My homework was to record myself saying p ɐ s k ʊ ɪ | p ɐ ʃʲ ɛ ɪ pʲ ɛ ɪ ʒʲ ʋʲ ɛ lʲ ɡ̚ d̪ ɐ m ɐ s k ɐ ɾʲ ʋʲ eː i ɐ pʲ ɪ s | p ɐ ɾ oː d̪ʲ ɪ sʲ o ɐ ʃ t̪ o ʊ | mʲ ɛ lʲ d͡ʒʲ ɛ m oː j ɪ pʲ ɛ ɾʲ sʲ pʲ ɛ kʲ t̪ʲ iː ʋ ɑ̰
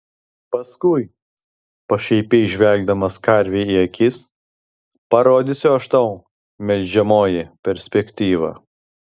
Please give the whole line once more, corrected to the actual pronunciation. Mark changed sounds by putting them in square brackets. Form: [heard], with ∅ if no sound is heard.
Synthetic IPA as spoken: p ɐ s k ʊ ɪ | p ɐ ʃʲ ɛ ɪ pʲ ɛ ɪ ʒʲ ʋʲ ɛ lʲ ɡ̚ d̪ ɐ m ɐ s k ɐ ɾʲ ʋʲ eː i ɐ [kʲ] ɪ s | p ɐ ɾ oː d̪ʲ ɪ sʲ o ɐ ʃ t̪ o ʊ | mʲ ɛ lʲ d͡ʒʲ ɛ m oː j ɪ pʲ ɛ ɾʲ sʲ pʲ ɛ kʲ t̪ʲ iː ʋ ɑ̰